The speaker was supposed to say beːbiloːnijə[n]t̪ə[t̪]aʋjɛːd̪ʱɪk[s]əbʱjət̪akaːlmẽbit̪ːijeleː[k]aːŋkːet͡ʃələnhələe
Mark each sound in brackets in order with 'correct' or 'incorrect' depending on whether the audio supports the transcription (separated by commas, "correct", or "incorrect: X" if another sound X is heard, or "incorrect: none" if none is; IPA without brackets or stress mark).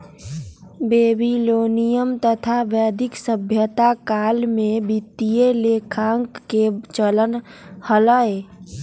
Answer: incorrect: m, incorrect: t̪ʰ, correct, incorrect: kʰ